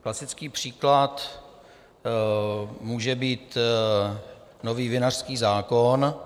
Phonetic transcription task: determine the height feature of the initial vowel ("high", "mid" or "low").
low